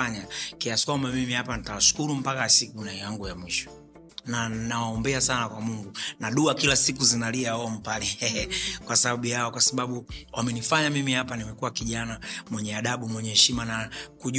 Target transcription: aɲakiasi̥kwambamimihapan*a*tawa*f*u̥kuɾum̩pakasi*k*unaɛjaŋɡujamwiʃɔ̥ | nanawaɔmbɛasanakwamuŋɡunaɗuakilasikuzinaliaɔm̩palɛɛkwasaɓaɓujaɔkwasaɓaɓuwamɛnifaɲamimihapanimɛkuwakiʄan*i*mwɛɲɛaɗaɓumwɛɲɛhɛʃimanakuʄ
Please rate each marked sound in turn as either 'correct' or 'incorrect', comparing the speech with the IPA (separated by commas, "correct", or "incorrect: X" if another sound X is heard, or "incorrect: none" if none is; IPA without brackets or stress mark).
incorrect: i, incorrect: ʃ, correct, incorrect: a